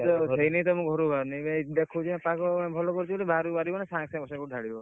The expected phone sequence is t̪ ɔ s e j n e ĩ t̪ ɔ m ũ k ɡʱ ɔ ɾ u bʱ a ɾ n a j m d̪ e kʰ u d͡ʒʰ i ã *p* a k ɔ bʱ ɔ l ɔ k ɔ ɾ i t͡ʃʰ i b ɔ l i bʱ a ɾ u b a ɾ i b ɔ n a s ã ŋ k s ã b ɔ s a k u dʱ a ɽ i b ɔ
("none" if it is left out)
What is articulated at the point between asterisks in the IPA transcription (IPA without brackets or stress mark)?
p